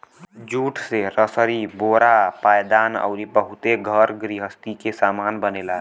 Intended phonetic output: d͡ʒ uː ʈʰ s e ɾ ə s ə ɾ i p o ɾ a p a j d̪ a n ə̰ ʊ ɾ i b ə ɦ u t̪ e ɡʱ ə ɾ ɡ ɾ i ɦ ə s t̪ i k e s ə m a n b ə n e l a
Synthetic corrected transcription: d͡ʒ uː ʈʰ s e ɾ ə s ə ɾ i b o ɾ a p a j d̪ a n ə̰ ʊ ɾ i b ə ɦ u t̪ e ɡʱ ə ɾ ɡ ɾ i ɦ ə s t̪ i k e s a m a n b ə n e l a